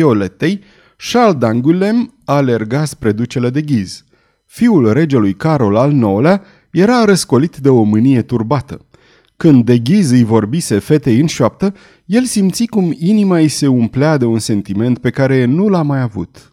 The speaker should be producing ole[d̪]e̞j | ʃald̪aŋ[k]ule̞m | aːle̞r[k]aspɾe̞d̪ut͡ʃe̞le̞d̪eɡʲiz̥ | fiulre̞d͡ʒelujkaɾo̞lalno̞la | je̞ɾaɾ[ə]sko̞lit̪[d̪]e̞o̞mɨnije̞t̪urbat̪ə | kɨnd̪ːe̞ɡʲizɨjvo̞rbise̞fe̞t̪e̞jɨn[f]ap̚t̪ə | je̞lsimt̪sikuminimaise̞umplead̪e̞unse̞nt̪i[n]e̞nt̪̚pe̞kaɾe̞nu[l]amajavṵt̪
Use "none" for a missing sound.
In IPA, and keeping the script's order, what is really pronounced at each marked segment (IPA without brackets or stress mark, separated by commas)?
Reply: t̪, ɡ, ɡ, ə, d̪, ʃ, m, l